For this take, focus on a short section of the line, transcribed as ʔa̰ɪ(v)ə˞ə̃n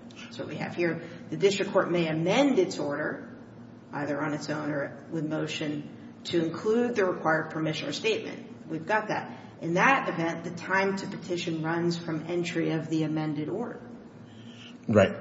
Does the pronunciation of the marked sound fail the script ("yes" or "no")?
yes